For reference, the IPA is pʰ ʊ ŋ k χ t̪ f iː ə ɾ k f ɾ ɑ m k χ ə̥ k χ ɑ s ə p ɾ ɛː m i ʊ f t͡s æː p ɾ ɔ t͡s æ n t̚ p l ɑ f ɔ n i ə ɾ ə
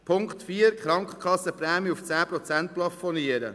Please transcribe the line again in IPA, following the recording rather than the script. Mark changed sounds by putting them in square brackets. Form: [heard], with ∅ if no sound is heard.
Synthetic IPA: pʰ ʊ ŋ k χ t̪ f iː ə ɾ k [χ] ɾ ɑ [ŋ] k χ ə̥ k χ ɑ s ə p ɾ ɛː m i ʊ f t͡s æː p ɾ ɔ t͡s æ n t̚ p l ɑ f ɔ n i ə ɾ ə